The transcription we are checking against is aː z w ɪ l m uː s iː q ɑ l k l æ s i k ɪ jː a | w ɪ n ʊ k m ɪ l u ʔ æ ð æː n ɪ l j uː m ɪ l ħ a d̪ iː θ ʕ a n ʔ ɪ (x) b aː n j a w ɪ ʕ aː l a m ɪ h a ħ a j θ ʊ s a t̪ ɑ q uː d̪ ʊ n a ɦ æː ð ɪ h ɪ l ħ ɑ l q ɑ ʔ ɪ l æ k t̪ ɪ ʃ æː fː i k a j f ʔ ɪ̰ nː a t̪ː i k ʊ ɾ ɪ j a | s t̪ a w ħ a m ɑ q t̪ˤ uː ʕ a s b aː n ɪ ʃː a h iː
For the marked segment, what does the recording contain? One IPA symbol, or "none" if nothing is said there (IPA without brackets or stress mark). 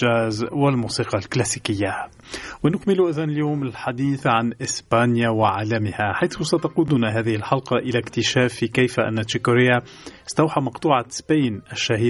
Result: s